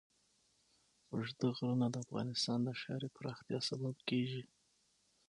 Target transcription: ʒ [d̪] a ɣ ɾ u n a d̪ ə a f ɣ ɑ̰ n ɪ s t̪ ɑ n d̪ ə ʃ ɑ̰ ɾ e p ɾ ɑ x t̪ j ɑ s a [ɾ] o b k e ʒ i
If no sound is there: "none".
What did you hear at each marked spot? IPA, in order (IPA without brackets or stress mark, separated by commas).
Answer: d̪, l